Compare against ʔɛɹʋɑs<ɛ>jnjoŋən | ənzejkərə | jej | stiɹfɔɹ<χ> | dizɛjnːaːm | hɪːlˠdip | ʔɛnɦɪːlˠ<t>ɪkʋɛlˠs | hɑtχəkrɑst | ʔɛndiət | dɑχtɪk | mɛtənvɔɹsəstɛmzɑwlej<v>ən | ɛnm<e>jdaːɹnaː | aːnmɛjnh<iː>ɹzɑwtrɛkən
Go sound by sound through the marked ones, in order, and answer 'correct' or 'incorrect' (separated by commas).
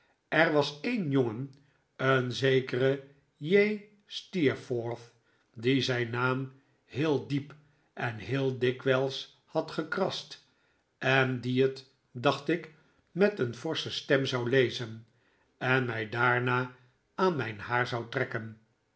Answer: incorrect, incorrect, incorrect, incorrect, incorrect, incorrect